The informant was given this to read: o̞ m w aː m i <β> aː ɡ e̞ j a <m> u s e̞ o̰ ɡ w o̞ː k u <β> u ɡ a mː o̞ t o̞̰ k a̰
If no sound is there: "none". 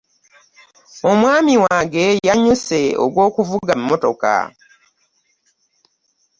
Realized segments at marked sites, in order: w, ɲ, v

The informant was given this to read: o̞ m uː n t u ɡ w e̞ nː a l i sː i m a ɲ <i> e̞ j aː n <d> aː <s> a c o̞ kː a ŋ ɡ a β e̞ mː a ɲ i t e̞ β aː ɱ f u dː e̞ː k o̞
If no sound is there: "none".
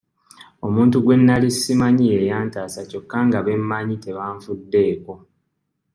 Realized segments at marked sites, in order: i, t, s

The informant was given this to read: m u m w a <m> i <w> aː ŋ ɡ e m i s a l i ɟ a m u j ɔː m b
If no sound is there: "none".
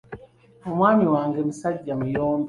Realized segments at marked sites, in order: m, w

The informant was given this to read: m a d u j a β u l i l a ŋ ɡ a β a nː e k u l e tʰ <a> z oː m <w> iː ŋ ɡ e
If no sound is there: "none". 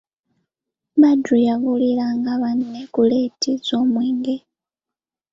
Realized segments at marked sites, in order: i, w

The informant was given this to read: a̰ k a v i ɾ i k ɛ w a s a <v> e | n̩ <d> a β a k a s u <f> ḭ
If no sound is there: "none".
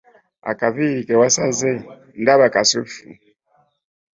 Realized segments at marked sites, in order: z, d, f

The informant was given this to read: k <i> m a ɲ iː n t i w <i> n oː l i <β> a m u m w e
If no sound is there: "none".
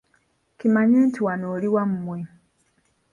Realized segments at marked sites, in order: i, a, w

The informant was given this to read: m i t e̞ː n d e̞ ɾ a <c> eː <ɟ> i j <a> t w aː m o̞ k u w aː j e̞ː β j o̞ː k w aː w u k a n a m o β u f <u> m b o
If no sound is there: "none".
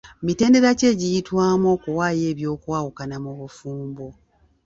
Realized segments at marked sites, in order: c, ɟ, i, uː

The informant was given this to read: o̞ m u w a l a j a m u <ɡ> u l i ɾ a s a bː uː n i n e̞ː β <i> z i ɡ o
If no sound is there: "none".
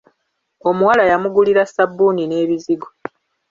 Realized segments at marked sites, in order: ɡ, i

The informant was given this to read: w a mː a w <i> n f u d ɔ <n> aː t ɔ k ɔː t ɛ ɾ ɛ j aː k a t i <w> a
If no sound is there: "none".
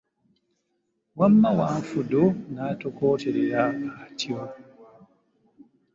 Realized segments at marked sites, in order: a, n, w

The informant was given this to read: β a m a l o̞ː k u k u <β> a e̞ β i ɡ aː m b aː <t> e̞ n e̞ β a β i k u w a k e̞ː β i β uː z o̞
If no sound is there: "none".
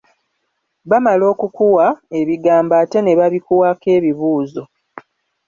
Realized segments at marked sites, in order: w, t

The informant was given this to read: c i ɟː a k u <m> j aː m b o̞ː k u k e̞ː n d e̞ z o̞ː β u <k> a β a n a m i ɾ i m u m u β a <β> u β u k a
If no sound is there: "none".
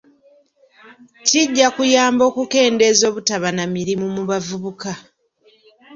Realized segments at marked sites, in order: none, t, v

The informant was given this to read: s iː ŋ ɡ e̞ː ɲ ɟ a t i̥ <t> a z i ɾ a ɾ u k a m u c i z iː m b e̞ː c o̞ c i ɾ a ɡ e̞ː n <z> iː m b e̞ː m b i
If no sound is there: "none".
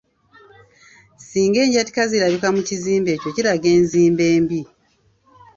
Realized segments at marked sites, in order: k, z

